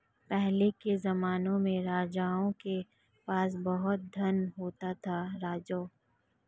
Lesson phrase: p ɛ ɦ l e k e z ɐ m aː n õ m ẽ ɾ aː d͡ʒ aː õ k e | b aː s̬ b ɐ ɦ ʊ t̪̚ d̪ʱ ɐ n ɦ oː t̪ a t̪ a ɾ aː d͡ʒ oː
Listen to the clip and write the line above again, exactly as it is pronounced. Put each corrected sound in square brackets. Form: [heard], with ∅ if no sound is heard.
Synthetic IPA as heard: p ɛ ɦ l e k e z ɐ m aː n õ m ẽ ɾ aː d͡ʒ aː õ k e | [p] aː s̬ b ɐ ɦ ʊ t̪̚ d̪ʱ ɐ n ɦ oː t̪ a [t̪ʰ] a ɾ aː d͡ʒ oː